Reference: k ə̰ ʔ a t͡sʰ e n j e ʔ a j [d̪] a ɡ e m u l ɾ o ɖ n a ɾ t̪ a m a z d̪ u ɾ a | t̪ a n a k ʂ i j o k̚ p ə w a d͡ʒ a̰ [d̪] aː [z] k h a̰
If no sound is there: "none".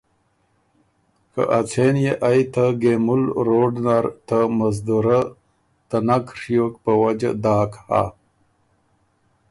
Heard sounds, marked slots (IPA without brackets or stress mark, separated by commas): t̪, d̪, none